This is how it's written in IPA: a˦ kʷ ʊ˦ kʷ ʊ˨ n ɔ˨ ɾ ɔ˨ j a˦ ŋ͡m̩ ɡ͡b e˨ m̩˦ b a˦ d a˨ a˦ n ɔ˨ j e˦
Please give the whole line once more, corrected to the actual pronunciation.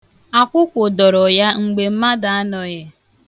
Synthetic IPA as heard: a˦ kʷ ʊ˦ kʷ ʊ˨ d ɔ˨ ɾ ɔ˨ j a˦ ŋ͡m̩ ɡ͡b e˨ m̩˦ m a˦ d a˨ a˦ n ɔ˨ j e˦